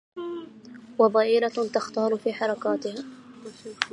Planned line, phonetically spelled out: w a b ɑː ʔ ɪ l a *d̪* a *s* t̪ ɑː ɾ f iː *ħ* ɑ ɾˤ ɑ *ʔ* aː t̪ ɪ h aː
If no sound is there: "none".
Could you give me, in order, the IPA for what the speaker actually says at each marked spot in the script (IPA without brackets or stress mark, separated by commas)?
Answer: t̪, x, ħ, k